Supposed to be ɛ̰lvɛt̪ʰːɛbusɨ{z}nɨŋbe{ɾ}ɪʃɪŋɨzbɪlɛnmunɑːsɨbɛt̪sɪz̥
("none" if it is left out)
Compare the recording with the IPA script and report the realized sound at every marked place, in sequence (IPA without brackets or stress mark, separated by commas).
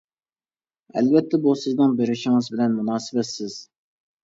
z, ɾ